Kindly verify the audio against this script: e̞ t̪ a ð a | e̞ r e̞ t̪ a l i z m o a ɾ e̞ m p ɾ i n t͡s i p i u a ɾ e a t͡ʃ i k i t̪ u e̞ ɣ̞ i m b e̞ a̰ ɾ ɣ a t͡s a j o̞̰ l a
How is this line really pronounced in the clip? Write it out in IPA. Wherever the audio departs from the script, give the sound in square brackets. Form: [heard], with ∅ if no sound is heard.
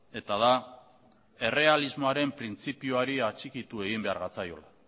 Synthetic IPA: e̞ t̪ a ð a | e̞ r e̞ [∅] a l i z m o a ɾ e̞ m p ɾ i n t͡s i p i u a ɾ [i] a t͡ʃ i k i t̪ u e̞ ɣ̞ i m b e̞ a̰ ɾ ɣ a t͡s a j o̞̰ l a